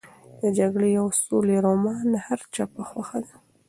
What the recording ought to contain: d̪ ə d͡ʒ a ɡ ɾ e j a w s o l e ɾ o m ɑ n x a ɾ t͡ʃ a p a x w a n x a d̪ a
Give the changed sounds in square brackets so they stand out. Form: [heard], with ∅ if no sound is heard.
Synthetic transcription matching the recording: d̪ ə d͡ʒ a ɡ [ɽ] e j a w s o l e ɾ o m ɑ n [h] a ɾ t͡ʃ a p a x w a [∅] x a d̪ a